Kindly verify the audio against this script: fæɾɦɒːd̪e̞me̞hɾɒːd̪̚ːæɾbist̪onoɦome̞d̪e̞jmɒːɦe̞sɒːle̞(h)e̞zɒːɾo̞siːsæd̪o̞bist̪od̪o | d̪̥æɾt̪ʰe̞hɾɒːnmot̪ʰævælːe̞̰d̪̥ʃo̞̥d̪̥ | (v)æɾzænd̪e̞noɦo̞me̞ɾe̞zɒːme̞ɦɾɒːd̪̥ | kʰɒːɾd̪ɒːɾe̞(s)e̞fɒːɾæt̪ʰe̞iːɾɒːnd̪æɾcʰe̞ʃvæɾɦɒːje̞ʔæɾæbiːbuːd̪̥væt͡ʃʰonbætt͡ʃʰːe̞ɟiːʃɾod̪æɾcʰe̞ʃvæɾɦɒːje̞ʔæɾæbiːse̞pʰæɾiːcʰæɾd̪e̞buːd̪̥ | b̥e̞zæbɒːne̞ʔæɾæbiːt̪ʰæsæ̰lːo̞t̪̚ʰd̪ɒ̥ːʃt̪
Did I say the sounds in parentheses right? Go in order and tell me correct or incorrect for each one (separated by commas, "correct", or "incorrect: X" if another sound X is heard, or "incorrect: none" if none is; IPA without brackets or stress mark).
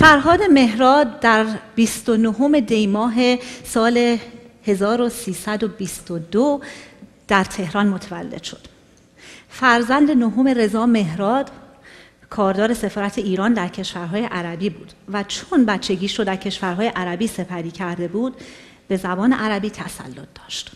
correct, incorrect: f, correct